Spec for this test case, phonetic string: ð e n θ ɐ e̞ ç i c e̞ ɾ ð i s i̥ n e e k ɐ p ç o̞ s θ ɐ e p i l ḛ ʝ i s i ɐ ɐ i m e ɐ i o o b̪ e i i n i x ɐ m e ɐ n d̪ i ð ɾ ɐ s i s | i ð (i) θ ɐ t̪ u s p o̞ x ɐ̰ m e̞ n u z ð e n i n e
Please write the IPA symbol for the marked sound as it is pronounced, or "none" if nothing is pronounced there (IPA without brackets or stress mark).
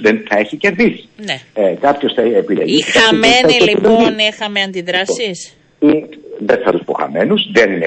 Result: e